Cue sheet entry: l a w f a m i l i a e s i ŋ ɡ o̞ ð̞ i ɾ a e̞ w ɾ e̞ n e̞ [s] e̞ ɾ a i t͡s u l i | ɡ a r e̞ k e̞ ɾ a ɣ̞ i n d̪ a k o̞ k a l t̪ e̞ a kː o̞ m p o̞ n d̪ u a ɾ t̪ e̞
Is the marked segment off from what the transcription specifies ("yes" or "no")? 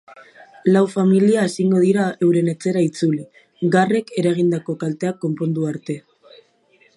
yes